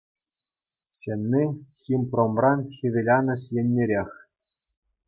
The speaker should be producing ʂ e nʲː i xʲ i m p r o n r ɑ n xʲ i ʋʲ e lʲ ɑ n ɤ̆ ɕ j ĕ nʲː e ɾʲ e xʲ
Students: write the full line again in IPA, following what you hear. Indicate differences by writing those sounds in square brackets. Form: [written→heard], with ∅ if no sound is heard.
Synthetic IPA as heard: [ʂ→ɕ] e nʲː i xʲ i m p r o [n→m] r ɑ n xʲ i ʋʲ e lʲ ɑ n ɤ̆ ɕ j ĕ nʲː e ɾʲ e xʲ